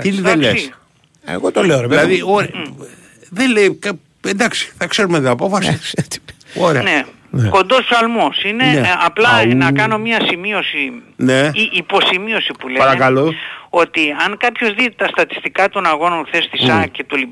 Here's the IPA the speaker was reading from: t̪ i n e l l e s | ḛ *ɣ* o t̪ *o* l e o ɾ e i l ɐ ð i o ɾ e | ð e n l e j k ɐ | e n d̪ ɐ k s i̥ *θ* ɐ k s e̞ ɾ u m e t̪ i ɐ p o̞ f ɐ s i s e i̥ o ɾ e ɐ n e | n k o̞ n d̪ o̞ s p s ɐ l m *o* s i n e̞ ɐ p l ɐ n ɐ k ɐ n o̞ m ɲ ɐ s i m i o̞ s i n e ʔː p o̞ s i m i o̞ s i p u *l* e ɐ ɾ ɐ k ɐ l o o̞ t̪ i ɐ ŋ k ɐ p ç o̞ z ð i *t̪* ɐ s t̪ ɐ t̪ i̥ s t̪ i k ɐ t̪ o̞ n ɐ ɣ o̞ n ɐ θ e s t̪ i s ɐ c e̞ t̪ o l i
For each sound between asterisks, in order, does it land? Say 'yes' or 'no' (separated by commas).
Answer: yes, yes, yes, yes, yes, yes